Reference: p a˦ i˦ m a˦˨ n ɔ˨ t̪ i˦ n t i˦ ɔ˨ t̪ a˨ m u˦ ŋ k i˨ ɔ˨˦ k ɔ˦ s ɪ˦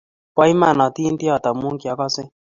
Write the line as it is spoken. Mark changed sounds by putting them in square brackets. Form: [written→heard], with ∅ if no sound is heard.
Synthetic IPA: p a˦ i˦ m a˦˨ n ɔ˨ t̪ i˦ n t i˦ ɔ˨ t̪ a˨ m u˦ ŋ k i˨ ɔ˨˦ k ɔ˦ s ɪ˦